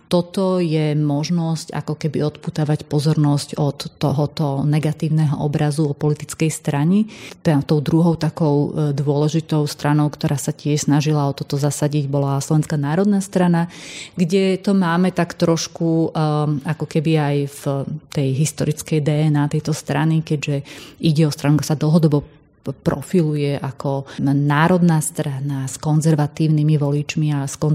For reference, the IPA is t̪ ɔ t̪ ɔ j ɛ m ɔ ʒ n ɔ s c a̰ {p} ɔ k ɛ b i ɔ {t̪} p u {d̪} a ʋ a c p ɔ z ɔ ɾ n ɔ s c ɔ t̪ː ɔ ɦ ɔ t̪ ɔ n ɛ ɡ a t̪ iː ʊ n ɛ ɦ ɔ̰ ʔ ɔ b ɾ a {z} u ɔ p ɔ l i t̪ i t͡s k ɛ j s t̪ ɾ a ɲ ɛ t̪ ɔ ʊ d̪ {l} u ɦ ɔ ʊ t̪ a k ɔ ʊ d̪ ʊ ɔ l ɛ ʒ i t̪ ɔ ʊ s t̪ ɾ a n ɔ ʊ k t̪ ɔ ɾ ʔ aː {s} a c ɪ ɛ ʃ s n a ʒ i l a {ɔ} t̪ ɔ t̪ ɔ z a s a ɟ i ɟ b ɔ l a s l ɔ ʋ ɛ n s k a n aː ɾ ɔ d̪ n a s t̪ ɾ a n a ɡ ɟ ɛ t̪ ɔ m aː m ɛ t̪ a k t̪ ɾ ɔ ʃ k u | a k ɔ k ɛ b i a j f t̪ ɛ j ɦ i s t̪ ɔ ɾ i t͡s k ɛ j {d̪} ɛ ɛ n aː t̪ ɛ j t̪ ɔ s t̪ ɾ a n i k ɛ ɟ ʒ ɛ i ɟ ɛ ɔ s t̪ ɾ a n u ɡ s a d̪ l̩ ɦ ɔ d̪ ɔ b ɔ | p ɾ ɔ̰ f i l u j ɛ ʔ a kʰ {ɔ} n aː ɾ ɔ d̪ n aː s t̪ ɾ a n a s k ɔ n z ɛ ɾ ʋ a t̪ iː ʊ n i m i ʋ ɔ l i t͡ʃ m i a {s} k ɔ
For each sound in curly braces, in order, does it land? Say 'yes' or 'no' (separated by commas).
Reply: no, yes, no, yes, no, yes, yes, yes, yes, yes